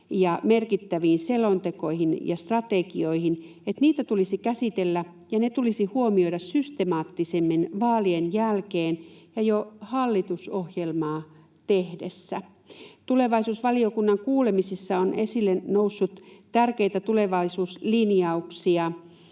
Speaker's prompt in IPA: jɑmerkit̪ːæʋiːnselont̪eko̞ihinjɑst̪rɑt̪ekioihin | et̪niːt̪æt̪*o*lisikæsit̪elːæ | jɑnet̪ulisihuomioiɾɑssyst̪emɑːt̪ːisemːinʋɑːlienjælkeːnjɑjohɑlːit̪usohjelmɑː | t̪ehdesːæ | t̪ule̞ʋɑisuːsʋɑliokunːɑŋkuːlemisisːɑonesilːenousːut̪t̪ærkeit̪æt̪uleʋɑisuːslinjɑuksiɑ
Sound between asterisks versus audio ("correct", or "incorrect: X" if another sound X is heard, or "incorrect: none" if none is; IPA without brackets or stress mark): incorrect: u